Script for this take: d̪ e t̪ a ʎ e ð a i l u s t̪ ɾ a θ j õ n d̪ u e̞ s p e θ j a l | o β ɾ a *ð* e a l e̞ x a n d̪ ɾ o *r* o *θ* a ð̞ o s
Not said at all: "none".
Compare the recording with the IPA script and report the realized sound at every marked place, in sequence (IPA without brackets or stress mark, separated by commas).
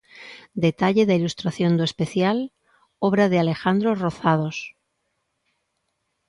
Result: ð, r, θ